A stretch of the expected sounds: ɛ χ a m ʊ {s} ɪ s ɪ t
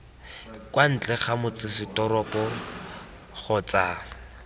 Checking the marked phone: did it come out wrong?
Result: yes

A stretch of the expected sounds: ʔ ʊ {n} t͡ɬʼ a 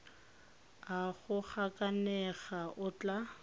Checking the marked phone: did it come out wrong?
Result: yes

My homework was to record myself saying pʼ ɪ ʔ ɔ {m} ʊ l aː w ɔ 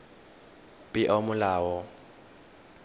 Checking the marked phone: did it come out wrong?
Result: no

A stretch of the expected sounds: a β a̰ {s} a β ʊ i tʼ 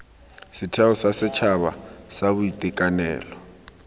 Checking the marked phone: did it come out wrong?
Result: no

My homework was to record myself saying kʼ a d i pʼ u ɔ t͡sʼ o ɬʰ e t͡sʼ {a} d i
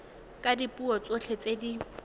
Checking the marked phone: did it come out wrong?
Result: yes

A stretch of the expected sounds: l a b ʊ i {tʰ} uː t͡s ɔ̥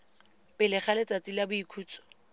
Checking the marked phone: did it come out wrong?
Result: yes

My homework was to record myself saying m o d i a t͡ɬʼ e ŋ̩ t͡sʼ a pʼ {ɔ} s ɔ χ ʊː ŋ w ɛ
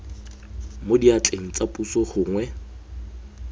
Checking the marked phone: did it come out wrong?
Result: yes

